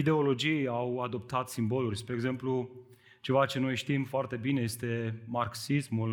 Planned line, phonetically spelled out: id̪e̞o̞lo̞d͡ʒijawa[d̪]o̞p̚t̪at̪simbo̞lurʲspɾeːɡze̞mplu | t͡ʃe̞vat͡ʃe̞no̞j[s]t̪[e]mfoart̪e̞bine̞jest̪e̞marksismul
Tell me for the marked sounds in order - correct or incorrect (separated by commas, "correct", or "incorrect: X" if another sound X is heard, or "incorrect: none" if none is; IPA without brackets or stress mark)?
correct, incorrect: ʃ, incorrect: i